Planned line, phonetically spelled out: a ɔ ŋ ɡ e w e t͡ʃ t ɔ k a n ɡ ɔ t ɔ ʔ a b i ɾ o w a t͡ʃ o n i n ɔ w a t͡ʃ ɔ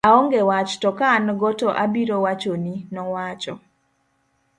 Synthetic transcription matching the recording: a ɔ ŋ ɡ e w a t͡ʃ t ɔ k a n ɡ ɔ t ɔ ʔ a b i ɾ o w a t͡ʃ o n i n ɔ w a t͡ʃ ɔ